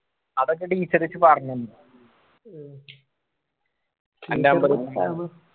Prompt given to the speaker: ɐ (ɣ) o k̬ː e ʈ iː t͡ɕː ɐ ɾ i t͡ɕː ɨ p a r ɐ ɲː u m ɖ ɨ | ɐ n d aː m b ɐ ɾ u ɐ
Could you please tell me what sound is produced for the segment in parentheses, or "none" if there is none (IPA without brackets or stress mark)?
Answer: ð